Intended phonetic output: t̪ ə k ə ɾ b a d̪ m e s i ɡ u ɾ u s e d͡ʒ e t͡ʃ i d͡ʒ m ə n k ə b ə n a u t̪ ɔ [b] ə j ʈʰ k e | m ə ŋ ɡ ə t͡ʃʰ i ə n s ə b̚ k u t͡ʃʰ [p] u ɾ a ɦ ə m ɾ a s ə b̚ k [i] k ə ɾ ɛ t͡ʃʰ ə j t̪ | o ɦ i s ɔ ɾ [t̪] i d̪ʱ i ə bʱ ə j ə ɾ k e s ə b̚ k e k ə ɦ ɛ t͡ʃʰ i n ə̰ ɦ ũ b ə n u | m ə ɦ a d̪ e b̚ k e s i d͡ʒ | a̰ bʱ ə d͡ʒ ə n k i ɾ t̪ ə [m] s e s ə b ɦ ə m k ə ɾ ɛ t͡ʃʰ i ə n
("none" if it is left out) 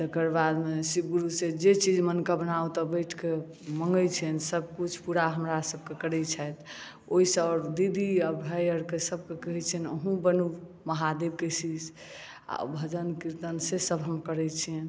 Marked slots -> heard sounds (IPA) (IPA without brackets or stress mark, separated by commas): b, p, e, d̪, n